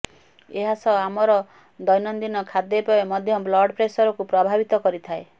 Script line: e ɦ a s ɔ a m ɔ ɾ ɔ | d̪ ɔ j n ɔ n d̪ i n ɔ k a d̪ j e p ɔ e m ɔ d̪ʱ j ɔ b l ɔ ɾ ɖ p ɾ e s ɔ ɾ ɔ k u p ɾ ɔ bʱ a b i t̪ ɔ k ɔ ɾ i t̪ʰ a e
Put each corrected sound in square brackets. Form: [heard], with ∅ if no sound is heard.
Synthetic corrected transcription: e ɦ a s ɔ a m ɔ ɾ ɔ | d̪ ɔ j n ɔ n d̪ i n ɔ [kʰ] a d̪ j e p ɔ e m ɔ d̪ʱ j ɔ b l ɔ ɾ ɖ p ɾ e s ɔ ɾ ɔ k u p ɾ ɔ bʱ a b i t̪ ɔ k ɔ ɾ i t̪ʰ a e